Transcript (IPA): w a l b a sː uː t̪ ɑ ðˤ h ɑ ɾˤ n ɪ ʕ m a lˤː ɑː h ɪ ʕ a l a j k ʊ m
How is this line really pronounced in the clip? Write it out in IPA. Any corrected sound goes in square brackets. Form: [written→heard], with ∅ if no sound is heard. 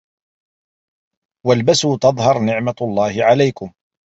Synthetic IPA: w a l b a [sː→s] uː t̪ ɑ ðˤ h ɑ ɾˤ n ɪ ʕ m a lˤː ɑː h ɪ ʕ a l a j k ʊ m